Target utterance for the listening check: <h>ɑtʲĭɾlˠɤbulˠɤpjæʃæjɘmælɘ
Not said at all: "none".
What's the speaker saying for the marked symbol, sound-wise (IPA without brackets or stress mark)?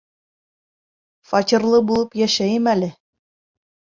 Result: f